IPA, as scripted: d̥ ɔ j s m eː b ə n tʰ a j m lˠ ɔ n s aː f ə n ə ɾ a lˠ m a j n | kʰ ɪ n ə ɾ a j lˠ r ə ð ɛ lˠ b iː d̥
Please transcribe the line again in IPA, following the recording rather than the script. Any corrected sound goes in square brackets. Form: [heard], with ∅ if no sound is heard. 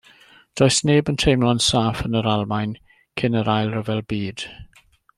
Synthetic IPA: d̥ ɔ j s [n] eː b ə n tʰ [e] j m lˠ ɔ n s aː f ə n ə ɾ a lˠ m a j n | kʰ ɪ n ə ɾ a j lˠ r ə [v] ɛ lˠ b iː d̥